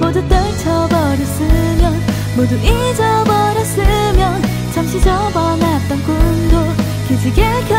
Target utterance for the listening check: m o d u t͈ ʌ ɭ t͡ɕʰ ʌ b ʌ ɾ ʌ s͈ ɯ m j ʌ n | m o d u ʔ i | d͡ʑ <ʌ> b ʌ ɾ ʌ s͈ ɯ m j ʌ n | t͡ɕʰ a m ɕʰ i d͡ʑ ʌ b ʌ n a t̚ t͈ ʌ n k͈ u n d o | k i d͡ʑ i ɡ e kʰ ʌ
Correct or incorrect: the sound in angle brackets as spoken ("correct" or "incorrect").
correct